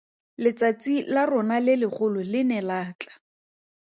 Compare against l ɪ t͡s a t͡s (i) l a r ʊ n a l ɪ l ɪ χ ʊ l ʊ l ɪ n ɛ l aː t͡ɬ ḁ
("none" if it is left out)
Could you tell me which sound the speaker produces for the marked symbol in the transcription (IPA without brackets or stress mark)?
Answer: i